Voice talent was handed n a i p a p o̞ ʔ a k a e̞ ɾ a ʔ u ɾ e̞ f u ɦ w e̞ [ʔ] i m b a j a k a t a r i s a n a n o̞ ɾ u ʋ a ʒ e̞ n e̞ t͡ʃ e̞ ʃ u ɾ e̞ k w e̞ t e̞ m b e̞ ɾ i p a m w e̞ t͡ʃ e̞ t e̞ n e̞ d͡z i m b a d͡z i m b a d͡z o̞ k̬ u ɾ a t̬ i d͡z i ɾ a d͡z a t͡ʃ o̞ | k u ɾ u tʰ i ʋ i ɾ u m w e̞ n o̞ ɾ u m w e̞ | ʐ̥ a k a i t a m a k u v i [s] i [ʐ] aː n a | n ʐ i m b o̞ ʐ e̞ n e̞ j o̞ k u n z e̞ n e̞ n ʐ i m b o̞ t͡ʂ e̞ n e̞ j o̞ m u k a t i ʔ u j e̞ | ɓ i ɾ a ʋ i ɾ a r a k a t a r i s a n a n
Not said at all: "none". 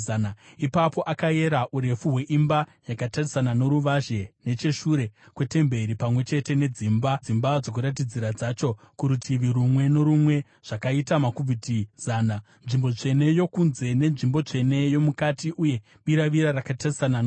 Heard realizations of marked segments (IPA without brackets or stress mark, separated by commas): ʔ, t, z